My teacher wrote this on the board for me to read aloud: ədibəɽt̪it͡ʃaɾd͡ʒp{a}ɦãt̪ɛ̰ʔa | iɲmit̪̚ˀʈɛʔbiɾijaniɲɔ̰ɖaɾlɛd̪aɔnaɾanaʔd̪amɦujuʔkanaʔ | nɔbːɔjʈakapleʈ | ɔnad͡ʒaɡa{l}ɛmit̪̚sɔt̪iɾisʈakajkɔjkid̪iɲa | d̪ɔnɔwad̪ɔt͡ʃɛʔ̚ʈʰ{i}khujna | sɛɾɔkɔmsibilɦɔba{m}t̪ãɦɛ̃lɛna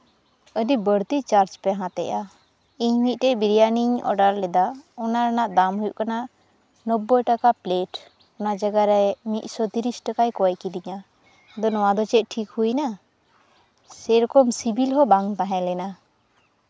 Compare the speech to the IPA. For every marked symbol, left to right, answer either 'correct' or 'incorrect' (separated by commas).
incorrect, incorrect, correct, incorrect